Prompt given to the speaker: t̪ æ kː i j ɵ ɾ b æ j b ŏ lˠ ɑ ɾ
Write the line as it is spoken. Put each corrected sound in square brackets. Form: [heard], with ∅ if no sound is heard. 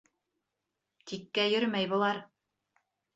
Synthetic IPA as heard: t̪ [i] kː [æ] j ɵ ɾ [m] æ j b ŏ lˠ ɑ ɾ

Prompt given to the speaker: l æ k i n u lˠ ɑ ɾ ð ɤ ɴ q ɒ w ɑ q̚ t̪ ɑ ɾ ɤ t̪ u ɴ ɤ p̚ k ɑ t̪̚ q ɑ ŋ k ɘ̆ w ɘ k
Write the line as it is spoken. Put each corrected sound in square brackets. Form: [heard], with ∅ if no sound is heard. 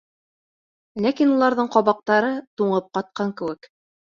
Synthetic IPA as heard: l æ k i n u lˠ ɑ ɾ ð ɤ ɴ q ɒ [β] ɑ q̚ t̪ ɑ ɾ ɤ t̪ u ɴ ɤ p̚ [q] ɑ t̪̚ q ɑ ŋ k ɘ̆ w ɘ k

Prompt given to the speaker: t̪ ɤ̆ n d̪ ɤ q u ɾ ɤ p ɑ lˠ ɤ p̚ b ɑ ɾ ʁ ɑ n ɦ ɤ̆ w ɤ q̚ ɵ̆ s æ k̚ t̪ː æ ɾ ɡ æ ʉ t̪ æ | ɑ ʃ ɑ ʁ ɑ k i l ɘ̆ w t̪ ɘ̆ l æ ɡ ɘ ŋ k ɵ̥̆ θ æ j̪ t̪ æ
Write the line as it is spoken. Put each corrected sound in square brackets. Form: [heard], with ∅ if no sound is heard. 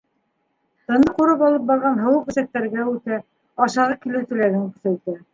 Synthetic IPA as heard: t̪ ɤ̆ n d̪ ɤ q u ɾ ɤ p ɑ lˠ ɤ p̚ b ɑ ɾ ʁ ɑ n ɦ ɤ̆ w ɤ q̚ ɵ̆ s æ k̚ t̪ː æ ɾ ɡ æ ʉ t̪ æ | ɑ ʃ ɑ ʁ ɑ k i l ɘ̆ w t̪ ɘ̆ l æ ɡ ɘ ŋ k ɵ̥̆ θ æ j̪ t̪ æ

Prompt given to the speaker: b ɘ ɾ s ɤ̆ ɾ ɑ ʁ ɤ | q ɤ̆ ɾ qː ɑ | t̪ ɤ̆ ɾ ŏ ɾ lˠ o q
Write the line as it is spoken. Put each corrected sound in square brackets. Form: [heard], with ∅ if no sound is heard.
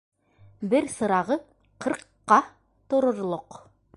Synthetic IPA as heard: b ɘ ɾ s ɤ̆ ɾ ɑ ʁ ɤ | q ɤ̆ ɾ qː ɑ | t̪ [ŏ] ɾ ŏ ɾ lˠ o q

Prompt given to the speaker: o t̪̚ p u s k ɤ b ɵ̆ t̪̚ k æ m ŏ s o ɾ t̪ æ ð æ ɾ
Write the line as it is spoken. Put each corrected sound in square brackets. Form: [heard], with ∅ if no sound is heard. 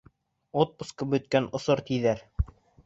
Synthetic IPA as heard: o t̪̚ p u s k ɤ b ɵ̆ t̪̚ k æ [n] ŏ s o ɾ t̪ [i] ð æ ɾ

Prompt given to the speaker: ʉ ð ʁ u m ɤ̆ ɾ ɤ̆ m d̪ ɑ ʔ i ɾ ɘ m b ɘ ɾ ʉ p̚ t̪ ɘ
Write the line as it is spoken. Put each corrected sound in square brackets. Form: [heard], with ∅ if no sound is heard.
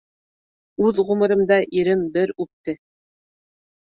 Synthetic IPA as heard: ʉ ð ʁ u m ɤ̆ ɾ ɤ̆ m d̪ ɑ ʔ i ɾ ɘ m b ɘ ɾ ʉ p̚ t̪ ɘ

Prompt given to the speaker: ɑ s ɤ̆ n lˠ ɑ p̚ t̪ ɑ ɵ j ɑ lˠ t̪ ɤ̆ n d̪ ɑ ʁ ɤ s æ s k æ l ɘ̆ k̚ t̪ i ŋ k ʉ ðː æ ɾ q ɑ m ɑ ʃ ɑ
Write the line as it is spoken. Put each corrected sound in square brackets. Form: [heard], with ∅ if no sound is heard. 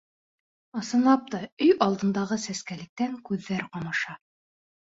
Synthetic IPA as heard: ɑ s ɤ̆ n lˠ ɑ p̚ t̪ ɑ ɵ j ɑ lˠ [d̪] ɤ̆ n d̪ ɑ ʁ ɤ s æ s k æ l ɘ̆ k̚ t̪ [æ] ŋ k ʉ ðː æ ɾ q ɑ m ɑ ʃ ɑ

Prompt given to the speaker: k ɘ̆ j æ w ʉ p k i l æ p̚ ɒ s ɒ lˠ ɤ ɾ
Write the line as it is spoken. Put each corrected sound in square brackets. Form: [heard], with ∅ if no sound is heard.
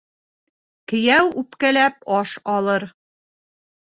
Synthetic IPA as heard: k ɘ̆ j æ w ʉ p k [æ] l æ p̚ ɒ [ʃ] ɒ lˠ ɤ ɾ

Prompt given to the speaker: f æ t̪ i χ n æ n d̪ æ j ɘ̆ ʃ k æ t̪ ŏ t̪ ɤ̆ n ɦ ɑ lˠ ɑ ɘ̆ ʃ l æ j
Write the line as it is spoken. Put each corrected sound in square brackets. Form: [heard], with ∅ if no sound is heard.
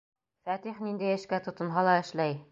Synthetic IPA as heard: f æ t̪ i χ n [i] n d̪ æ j ɘ̆ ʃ k æ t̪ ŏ t̪ ɤ̆ n ɦ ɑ lˠ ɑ ɘ̆ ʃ l æ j

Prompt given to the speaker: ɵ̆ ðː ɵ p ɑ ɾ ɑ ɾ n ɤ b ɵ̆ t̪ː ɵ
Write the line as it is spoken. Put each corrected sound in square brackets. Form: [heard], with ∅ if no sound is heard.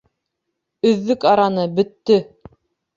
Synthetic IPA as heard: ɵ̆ ðː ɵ [k] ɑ ɾ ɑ [∅] n ɤ b ɵ̆ t̪ː ɵ

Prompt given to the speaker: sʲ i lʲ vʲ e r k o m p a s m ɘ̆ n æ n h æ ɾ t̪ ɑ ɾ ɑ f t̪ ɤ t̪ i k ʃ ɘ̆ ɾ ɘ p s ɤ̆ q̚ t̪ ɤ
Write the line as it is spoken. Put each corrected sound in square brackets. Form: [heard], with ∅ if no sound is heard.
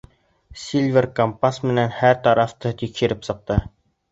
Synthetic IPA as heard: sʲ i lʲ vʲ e r k o m p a s m ɘ̆ n æ n h æ ɾ t̪ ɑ ɾ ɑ f t̪ ɤ t̪ i k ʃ ɘ̆ ɾ ɘ p s ɤ̆ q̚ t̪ ɤ

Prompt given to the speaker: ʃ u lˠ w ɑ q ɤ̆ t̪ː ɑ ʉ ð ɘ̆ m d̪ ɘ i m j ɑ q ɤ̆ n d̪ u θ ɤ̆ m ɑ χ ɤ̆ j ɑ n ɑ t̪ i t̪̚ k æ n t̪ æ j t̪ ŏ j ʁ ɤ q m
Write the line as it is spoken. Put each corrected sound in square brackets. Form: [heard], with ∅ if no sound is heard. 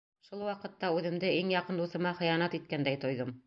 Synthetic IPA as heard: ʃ u lˠ w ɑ q ɤ̆ t̪ː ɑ ʉ ð ɘ̆ m d̪ ɘ i [ŋ] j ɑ q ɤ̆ n d̪ u θ ɤ̆ m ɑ χ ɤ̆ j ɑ n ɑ t̪ i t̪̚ k æ n [d̪] æ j t̪ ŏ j [ð] ɤ [∅] m

